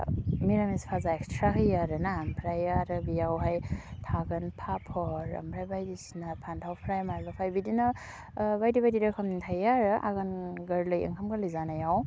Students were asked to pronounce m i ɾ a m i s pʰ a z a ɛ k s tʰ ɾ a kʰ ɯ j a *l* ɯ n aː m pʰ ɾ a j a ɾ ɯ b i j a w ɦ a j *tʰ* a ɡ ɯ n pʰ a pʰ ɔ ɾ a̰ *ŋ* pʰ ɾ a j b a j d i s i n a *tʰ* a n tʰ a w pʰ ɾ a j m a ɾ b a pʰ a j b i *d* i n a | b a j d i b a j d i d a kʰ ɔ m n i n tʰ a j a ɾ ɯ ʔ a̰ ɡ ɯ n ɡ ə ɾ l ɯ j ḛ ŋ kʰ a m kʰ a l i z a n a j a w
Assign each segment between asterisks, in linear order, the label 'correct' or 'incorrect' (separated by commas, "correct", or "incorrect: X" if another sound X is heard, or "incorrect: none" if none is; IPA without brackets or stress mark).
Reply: incorrect: ɾ, correct, incorrect: m, incorrect: pʰ, correct